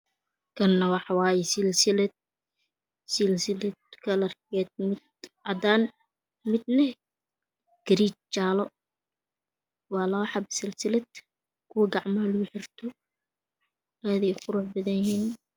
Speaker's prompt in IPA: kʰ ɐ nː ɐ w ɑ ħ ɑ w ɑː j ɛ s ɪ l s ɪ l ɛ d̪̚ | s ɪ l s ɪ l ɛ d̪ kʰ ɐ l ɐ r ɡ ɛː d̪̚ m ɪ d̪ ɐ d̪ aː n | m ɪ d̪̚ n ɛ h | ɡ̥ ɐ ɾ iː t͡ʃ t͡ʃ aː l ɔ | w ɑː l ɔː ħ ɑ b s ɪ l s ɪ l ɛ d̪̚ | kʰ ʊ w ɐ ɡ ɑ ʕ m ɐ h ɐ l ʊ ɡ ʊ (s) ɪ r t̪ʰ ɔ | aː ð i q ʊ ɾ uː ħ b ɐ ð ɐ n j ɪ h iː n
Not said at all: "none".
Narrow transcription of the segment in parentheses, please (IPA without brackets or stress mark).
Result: ħ